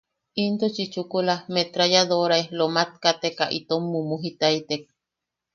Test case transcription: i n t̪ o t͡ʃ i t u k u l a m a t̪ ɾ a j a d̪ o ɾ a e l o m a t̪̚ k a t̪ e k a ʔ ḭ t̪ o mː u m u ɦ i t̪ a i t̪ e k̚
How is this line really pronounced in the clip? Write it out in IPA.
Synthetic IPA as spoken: i n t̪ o t͡ʃ i t͡ʃ u k u l a m e t̪ ɾ a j a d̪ o ɾ a e l o m a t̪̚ k a t̪ e k a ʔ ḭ t̪ o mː u m u ɦ i t̪ a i t̪ e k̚